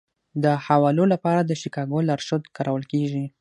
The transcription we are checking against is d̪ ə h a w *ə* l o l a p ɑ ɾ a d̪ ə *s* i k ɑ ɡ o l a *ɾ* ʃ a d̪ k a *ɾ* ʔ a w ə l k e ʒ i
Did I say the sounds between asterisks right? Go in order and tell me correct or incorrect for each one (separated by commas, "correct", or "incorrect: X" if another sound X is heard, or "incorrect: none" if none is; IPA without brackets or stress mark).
incorrect: ɑ, incorrect: ʃ, correct, correct